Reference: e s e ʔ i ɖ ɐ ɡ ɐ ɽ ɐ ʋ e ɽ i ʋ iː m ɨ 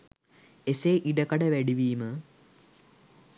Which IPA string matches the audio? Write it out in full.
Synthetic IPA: e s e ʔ i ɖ ɐ k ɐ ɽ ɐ ʋ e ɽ i ʋ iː m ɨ